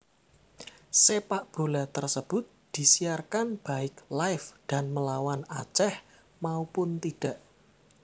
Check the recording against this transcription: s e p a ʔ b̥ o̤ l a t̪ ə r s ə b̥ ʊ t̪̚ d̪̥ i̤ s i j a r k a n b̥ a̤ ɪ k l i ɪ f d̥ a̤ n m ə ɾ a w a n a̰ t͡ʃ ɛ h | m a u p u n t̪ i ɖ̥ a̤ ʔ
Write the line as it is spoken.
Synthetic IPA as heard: s e p a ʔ b̥ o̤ l a t̪ ə r s ə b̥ ʊ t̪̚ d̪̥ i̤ s i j a r k a n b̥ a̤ ɪ k l a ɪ f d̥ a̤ n m ə l a w a n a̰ t͡ʃ ɛ h | m a u p ʊ n t̪ i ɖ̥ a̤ ʔ